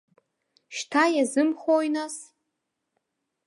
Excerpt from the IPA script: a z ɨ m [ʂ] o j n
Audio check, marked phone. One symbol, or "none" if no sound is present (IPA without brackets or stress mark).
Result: χ